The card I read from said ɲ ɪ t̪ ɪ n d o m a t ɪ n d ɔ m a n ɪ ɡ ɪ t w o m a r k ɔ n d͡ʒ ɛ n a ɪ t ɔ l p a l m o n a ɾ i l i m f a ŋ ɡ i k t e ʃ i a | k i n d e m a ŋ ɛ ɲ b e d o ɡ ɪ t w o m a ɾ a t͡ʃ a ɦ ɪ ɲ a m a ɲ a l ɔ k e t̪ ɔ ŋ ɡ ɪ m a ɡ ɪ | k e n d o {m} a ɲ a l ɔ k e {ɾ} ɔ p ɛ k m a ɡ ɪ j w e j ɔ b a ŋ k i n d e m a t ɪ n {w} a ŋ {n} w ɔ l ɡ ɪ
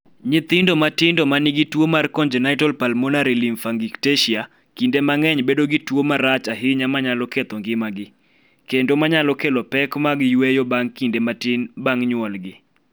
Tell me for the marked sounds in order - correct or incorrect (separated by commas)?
correct, incorrect, incorrect, incorrect